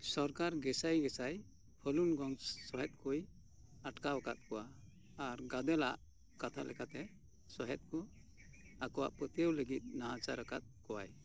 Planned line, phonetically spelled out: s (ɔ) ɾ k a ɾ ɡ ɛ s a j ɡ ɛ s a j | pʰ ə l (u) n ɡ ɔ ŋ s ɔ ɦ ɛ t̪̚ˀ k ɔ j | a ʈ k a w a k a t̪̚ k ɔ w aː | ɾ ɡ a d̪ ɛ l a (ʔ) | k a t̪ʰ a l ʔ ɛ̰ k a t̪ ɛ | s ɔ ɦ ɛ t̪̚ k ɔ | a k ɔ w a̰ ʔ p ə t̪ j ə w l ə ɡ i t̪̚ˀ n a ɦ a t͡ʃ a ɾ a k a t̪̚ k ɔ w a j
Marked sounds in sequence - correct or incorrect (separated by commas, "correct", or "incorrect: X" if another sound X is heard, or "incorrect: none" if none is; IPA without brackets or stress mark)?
correct, correct, correct